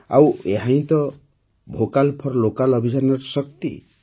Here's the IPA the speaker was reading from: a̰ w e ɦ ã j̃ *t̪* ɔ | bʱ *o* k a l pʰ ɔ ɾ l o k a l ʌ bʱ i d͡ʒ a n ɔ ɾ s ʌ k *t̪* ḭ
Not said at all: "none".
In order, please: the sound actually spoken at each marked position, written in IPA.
t̪, o, t̪

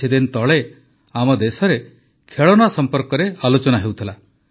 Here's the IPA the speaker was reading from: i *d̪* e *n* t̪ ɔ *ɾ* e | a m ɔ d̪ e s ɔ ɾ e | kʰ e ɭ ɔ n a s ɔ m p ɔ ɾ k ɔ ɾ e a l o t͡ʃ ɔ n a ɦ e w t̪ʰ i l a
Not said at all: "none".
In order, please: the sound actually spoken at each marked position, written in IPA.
d̪, n, ɭ

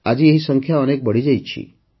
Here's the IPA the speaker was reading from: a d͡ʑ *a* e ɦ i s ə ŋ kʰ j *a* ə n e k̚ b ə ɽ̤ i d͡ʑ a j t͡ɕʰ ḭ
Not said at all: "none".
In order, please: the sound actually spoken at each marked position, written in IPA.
i, a

